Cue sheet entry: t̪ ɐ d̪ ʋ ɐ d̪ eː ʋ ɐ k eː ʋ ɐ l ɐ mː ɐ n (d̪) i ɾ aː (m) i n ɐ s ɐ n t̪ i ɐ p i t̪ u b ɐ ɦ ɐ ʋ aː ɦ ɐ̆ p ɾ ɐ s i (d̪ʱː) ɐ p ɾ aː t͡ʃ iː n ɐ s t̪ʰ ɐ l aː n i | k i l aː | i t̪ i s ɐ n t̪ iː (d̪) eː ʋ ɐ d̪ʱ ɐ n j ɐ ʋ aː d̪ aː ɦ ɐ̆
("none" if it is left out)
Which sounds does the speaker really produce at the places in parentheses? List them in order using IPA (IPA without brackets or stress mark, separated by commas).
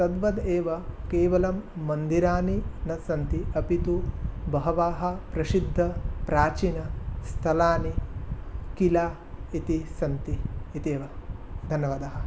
d̪, n, d̪ʱː, t̪